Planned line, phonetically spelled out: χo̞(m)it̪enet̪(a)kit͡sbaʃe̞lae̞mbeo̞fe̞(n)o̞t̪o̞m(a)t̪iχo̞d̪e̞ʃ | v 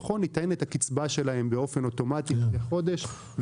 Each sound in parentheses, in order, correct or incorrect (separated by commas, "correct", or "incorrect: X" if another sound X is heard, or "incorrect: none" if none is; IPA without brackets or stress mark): incorrect: n, correct, correct, correct